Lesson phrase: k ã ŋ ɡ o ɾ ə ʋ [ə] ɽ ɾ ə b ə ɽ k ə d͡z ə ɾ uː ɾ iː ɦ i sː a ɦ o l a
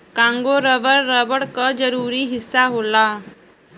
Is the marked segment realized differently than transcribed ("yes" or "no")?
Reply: no